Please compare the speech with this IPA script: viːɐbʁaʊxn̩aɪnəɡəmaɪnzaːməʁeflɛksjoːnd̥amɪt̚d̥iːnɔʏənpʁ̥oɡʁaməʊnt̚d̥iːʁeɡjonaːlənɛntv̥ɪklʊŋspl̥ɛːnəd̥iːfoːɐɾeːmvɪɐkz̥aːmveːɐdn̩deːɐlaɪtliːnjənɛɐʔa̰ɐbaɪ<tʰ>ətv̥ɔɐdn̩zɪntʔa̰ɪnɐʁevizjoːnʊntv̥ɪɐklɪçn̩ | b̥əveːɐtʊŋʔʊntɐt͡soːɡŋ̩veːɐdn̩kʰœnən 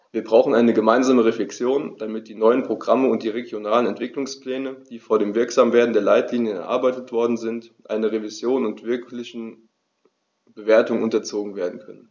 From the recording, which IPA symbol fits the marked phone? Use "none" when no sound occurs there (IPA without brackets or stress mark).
t